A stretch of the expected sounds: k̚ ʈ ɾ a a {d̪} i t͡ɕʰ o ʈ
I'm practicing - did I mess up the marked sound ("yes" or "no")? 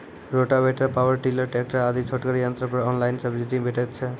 no